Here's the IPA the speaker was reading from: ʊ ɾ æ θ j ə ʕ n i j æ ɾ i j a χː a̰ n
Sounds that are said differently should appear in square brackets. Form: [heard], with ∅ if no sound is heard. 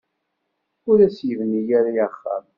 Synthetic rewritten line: ʊ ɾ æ [s] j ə [v] n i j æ ɾ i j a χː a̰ [m]